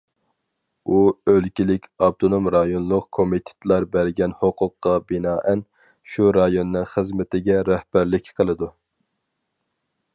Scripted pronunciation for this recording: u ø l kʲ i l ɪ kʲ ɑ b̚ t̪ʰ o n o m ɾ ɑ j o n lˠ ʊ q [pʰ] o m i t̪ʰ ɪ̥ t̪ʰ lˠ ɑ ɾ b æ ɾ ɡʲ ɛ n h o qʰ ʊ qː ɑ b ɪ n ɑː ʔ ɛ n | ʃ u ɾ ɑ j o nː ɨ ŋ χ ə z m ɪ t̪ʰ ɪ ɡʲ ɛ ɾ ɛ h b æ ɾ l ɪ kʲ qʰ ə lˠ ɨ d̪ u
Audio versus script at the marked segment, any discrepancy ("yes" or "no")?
yes